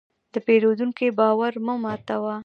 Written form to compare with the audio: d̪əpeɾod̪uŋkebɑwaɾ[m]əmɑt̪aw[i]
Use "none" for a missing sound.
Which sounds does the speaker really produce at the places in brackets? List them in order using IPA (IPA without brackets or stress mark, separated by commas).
m, a